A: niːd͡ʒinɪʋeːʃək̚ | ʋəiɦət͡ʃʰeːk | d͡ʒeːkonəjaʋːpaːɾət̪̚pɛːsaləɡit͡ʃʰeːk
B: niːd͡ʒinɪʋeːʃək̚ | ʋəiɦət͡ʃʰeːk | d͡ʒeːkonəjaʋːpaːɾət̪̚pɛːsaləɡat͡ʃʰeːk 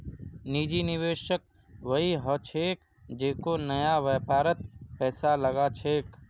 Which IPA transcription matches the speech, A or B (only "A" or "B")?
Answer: B